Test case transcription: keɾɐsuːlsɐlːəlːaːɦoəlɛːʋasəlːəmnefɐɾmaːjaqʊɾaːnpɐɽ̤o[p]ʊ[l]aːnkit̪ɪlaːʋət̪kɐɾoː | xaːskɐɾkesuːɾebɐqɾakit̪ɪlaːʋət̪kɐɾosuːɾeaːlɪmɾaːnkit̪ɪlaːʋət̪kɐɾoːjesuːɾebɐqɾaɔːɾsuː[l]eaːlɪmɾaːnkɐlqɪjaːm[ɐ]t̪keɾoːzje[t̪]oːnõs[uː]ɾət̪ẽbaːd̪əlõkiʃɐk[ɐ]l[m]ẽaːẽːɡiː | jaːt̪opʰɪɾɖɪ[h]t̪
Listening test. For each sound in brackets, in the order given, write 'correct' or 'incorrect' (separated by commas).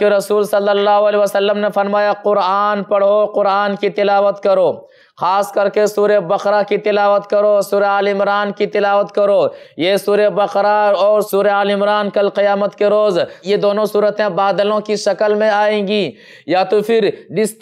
incorrect, incorrect, incorrect, incorrect, incorrect, correct, incorrect, correct, incorrect